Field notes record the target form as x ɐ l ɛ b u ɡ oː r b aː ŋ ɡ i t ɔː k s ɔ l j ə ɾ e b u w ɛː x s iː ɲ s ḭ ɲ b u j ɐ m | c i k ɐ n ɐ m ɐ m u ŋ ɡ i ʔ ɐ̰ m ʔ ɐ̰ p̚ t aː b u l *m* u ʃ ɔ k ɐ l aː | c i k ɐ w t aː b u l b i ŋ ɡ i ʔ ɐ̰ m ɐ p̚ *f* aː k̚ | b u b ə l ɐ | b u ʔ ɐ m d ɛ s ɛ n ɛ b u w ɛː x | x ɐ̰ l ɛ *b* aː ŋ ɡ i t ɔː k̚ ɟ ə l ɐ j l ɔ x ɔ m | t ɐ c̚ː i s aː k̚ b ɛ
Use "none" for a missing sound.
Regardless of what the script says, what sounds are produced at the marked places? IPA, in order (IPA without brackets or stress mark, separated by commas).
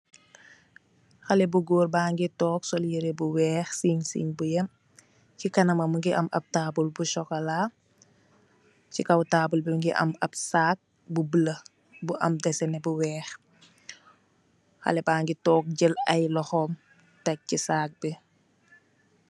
b, s, b